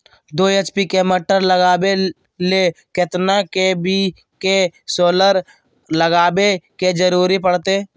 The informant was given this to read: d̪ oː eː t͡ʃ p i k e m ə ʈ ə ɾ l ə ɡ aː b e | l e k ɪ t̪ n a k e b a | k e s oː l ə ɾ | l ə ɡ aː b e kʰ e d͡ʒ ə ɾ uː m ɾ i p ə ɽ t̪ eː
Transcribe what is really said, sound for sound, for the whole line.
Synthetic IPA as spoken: d̪ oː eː t͡ʃ p i k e m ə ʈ ə ɾ l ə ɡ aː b e | l e k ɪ t̪ n a k e b i | k e s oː l ə ɾ | l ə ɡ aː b e k e d͡ʒ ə ɾ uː ɾ i p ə ɽ t̪ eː